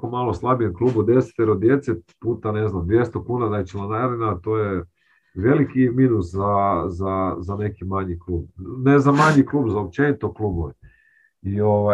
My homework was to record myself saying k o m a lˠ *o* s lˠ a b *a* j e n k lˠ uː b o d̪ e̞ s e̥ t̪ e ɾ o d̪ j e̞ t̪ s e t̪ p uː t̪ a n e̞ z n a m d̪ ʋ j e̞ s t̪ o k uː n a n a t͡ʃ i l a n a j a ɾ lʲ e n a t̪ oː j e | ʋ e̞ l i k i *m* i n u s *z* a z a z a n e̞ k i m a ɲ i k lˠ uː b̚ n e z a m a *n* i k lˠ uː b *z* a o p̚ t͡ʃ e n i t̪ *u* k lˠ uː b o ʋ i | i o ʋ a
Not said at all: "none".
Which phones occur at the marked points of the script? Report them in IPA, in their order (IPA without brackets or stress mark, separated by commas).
o, i, m, z, ɲ, z, o